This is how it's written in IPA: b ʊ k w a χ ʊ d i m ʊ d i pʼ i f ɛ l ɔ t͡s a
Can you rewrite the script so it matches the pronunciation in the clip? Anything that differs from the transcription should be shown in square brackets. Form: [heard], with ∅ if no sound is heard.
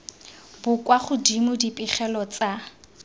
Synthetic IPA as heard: b ʊ k w a χ ʊ d i m ʊ d i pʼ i [χ] ɛ l ɔ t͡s a

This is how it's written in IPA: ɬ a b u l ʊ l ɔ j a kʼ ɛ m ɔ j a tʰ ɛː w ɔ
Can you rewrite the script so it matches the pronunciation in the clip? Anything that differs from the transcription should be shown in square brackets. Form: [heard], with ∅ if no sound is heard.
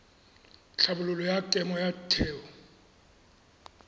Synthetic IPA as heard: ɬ a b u l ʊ l ɔ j a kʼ ɛ m ɔ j a tʰ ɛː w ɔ

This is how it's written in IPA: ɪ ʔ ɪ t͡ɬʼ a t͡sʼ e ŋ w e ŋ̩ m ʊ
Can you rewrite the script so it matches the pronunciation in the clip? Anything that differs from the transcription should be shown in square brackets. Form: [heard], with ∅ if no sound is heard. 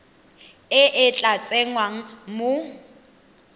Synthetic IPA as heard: ɪ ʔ ɪ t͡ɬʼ a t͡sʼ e ŋ w [a] ŋ̩ m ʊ

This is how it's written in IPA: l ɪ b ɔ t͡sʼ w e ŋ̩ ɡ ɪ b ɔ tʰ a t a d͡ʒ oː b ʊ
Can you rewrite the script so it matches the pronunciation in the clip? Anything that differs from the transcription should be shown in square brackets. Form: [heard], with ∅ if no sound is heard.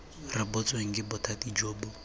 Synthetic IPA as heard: [r] ɪ b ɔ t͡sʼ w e ŋ̩ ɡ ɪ b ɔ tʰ a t [i] d͡ʒ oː b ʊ

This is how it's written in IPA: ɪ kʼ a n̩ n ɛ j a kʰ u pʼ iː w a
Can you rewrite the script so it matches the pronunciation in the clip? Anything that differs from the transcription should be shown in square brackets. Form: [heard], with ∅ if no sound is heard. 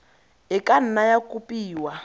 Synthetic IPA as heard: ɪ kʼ a n̩ n [a] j a [k] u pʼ iː w a

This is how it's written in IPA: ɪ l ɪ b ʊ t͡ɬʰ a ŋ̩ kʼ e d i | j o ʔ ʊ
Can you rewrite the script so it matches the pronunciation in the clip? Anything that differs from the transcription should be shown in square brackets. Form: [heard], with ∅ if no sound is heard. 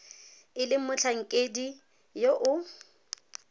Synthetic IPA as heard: ɪ l ɪ [m] ʊ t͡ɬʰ a ŋ̩ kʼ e d i | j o ʔ ʊ

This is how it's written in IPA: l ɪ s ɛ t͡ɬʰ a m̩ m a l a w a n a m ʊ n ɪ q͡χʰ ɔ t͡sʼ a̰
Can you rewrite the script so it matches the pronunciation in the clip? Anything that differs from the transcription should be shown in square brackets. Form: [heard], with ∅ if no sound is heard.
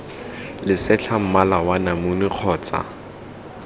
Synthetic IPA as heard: l ɪ s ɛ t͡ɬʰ a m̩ m a l a w a n a m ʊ n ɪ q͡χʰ [ɔː] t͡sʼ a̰

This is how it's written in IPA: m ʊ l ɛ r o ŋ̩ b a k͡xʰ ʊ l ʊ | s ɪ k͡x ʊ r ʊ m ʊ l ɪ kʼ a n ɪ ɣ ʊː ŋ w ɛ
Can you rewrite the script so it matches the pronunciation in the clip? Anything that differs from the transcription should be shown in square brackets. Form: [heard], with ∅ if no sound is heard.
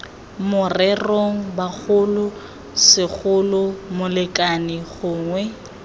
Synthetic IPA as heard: m ʊ [r] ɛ r o ŋ̩ b a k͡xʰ ʊ l ʊ | s ɪ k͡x ʊ [l] ʊ m ʊ l ɪ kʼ a n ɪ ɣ ʊː ŋ w ɛ

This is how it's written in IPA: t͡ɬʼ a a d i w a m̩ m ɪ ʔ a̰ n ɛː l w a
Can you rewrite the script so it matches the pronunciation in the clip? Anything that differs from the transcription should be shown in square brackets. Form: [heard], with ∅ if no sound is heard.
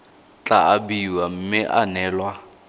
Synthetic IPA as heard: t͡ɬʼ a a [b] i w a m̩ m ɪ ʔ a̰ n ɛː l w a

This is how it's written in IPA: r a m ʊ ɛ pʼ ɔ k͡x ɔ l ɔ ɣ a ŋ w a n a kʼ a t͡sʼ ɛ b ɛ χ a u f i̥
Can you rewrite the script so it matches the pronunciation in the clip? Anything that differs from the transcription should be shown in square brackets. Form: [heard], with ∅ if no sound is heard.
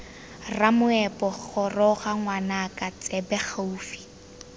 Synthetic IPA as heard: r a m ʊ ɛ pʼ ɔ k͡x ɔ [r] ɔ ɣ a ŋ w a n a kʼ a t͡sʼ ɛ b ɛ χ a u f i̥

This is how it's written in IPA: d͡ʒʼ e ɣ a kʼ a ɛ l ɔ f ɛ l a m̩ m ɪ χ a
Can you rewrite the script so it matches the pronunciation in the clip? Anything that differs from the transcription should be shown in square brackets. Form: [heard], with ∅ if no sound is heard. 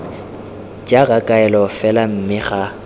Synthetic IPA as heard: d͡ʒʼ [a] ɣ a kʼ a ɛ l ɔ f ɛ l a m̩ m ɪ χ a

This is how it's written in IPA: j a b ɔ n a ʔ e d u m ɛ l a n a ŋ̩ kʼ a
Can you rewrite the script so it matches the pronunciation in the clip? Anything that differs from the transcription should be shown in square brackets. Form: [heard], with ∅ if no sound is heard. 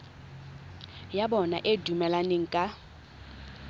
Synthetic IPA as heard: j a b ɔ n a ʔ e d u m ɛ l a n [e] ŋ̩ kʼ a

